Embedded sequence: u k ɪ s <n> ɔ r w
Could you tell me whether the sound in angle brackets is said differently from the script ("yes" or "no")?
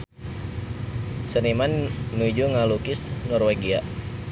no